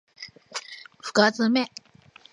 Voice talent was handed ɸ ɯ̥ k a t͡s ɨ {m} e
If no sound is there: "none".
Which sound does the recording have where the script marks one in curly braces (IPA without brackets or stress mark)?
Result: m